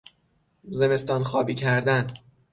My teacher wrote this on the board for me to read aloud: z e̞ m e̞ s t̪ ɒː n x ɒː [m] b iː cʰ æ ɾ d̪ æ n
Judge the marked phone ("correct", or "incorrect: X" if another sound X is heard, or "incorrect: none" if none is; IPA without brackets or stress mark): incorrect: none